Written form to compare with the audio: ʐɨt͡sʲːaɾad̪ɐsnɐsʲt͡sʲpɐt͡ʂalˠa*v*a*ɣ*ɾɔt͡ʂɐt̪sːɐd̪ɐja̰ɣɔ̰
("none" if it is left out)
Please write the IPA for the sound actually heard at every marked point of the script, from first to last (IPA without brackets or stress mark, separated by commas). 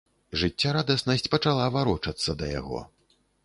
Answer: v, none